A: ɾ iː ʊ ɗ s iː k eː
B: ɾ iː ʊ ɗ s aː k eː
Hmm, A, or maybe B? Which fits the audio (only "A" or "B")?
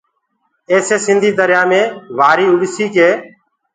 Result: A